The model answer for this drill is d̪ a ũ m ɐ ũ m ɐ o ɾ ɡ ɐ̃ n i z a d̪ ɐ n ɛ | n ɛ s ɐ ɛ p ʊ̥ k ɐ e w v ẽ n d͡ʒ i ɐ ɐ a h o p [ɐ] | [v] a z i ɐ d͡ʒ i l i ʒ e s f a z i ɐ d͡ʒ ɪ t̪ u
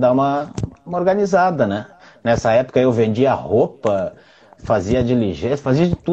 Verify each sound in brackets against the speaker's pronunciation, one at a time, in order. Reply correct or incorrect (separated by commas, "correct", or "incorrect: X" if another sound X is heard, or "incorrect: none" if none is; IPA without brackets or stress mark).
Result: correct, incorrect: f